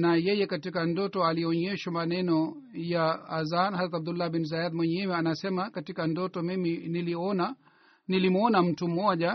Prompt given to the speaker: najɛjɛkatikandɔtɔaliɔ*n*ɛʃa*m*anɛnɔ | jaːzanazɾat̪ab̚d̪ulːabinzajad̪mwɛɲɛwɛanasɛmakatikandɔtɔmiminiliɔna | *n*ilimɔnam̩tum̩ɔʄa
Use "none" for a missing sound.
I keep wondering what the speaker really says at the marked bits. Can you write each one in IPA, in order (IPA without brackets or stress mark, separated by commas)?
ɲ, m, n